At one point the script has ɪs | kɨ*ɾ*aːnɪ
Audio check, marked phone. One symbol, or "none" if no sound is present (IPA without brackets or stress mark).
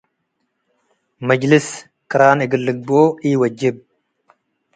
ɾ